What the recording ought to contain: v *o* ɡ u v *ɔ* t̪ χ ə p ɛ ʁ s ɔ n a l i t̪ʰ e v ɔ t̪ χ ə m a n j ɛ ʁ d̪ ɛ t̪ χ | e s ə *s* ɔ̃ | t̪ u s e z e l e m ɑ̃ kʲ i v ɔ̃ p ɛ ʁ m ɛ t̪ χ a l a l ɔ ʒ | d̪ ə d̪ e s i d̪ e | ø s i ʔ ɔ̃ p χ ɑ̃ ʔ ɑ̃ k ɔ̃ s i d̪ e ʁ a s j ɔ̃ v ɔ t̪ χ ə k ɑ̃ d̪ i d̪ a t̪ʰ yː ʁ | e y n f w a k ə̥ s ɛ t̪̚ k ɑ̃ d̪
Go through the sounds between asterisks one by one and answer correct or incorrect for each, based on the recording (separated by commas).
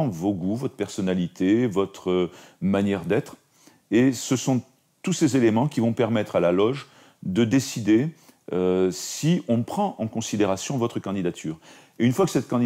correct, correct, correct